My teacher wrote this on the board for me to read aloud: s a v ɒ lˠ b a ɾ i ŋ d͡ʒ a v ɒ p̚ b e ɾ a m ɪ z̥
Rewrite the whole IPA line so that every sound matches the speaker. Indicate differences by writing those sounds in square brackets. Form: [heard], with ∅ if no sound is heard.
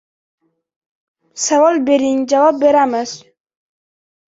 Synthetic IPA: s a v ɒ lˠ b [e] ɾ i ŋ d͡ʒ a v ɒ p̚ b e ɾ a m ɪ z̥